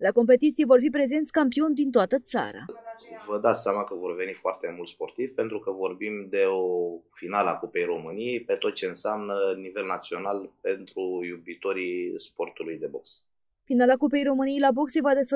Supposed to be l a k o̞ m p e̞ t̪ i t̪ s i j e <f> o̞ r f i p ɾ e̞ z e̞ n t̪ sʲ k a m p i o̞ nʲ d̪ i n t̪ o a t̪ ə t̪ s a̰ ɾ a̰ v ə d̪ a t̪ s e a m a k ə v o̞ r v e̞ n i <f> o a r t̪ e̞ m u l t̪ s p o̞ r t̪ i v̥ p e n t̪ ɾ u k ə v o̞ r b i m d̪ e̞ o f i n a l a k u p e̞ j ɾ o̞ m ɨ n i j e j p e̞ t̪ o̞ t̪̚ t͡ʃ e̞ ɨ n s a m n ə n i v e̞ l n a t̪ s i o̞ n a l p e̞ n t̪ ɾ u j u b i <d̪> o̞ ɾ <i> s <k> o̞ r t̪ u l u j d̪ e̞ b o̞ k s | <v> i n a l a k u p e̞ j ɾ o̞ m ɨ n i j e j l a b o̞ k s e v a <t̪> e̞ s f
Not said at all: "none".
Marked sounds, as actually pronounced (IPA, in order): v, f, t̪, i, p, f, d̪

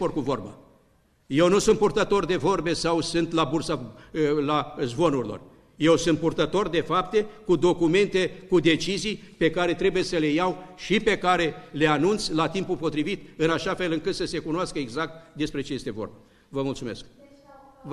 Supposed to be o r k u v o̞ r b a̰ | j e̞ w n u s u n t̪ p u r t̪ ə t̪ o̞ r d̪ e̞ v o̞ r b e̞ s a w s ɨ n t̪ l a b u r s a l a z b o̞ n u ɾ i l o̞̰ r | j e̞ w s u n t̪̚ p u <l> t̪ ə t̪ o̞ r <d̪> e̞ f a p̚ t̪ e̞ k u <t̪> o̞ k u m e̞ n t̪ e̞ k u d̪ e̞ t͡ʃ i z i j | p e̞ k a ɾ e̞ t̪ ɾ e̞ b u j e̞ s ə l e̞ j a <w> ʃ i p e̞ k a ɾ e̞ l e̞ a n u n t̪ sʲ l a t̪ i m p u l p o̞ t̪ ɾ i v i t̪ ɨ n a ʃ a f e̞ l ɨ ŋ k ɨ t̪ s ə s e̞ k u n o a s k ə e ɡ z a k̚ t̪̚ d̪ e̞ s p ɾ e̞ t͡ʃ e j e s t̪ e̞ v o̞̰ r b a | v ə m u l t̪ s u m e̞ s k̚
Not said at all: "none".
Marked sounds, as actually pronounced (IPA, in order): r, d̪, d̪, w

